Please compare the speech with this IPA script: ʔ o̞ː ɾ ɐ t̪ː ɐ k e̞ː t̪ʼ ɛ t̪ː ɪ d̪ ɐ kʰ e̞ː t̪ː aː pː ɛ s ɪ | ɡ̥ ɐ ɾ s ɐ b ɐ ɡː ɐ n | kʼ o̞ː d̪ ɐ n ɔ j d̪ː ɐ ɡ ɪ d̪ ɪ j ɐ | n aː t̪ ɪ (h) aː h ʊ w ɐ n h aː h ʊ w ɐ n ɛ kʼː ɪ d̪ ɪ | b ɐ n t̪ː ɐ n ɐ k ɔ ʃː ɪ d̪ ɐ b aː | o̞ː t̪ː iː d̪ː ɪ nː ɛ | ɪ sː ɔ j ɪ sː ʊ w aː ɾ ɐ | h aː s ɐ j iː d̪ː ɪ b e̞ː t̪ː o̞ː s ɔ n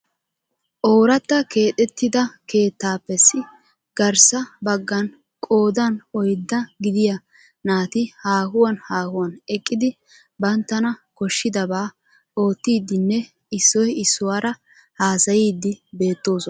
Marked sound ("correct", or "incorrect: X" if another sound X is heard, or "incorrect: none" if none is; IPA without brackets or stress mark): correct